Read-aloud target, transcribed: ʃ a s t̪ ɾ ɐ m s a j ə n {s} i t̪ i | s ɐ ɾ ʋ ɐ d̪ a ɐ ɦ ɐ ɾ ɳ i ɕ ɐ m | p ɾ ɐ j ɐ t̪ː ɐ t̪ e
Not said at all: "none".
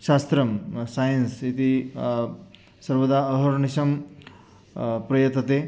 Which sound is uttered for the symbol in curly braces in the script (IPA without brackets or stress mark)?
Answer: s